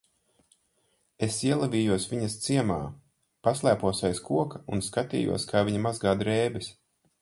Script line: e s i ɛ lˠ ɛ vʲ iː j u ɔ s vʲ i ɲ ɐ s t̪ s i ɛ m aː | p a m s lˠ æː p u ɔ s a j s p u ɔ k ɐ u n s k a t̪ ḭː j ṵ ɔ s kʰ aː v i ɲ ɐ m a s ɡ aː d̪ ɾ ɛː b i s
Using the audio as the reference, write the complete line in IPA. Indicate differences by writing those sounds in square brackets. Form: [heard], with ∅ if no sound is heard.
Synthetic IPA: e s i ɛ lˠ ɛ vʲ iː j u ɔ s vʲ i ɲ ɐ s t̪ s i ɛ m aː | p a [∅] s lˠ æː p u ɔ s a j s [k] u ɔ k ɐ u n s k a t̪ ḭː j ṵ ɔ s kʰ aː v i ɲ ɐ m a [z] ɡ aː d̪ ɾ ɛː b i s

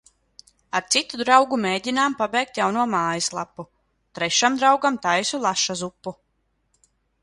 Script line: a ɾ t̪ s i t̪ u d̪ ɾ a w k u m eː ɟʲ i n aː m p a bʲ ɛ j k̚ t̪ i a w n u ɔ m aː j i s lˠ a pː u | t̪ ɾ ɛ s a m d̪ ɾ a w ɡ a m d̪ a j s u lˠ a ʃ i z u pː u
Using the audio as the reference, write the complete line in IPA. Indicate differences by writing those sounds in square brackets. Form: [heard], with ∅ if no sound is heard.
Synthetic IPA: a ɾ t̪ s i t̪ u d̪ ɾ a w [ɡ] u m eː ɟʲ i n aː m p a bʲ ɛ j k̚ t̪ [j] a w n u ɔ m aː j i s lˠ a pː u | t̪ ɾ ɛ [ʃ] a m d̪ ɾ a w ɡ a m [t̪] a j s u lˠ a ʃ [a] z u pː u

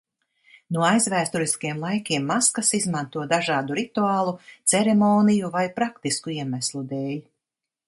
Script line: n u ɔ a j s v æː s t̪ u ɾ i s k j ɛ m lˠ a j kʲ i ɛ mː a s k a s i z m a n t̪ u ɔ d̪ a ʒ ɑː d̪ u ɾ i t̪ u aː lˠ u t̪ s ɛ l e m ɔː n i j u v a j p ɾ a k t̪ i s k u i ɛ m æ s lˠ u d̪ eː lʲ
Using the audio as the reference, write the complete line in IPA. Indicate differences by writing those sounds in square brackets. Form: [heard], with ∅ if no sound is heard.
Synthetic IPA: n u ɔ a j [z] v æː s t̪ u ɾ i s k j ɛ m lˠ a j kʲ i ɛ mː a s k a s i z m a n t̪ u ɔ d̪ a ʒ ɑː d̪ u ɾ i t̪ u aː lˠ u t̪ s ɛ [ɾ] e m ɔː n i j u v a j p ɾ a k t̪ i s k u i ɛ m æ s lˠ u d̪ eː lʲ

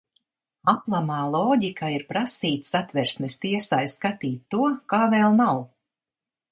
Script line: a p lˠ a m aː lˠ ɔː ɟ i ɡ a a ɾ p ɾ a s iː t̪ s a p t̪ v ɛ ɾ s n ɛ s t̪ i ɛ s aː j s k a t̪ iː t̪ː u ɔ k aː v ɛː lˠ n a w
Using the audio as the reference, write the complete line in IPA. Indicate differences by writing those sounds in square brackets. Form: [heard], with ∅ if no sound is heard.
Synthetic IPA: a p lˠ a m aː lˠ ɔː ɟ i [k] a [i] ɾ p ɾ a s iː t̪ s a [∅] t̪ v ɛ ɾ s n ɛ s t̪ i ɛ s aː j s k a t̪ iː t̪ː u ɔ k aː v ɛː lˠ n a w

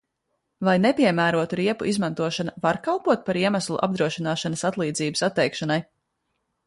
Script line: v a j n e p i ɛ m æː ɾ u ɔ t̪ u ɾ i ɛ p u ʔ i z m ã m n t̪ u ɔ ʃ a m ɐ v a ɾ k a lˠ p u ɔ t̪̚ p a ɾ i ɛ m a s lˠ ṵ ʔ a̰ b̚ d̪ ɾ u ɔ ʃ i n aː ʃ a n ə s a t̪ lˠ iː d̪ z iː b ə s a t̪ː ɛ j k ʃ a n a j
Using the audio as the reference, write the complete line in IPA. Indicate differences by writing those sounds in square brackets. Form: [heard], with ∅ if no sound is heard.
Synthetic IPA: v a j n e p i ɛ m æː ɾ u ɔ t̪ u ɾ i ɛ p u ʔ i z m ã [∅] n t̪ u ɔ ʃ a [n] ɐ v a ɾ k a lˠ p u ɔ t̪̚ p a ɾ i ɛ m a s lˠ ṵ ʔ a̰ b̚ d̪ ɾ u ɔ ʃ i n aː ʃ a n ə s a t̪ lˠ iː d̪ z iː b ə s a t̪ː ɛ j k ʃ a n a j

